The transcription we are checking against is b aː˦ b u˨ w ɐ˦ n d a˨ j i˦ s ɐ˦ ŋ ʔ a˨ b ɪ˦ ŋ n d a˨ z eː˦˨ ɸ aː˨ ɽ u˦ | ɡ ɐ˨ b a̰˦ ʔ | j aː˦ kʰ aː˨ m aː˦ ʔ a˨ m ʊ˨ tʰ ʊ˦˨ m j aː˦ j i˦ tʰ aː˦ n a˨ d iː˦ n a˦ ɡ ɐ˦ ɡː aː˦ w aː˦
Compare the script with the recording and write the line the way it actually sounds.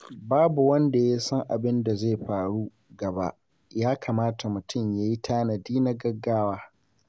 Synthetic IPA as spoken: b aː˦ b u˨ w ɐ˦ n d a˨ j a˦ s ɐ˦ ŋ ʔ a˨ b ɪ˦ n d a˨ z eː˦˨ ɸ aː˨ ɽ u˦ | ɡ ɐ˨ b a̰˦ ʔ | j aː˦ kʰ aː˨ m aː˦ t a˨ m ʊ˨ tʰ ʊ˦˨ m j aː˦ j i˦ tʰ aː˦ n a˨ d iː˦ n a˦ ɡ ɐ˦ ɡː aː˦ w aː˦